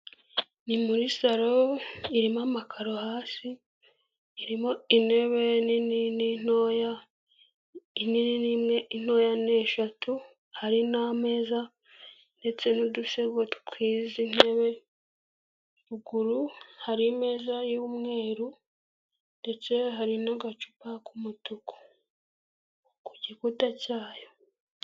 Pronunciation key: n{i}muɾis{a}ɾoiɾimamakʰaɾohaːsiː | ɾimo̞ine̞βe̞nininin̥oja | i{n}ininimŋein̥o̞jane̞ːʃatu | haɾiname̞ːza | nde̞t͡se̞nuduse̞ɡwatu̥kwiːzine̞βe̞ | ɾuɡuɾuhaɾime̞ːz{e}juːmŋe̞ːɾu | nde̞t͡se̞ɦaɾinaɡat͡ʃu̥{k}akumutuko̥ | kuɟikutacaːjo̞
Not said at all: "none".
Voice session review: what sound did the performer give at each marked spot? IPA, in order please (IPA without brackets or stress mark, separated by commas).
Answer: i, a, n, a, p